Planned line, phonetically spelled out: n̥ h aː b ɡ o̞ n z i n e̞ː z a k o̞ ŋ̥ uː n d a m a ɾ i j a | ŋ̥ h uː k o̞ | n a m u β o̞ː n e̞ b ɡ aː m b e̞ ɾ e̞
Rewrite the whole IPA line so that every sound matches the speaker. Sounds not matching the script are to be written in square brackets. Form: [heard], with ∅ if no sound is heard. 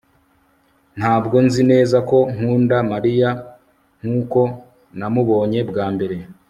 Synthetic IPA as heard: n̥ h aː b ɡ o̞ n z i n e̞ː z a k o̞ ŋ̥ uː n d a m a ɾ i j a | ŋ̥ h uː k o̞ | n a m u β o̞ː [ɲ] e̞ b ɡ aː m b e̞ ɾ e̞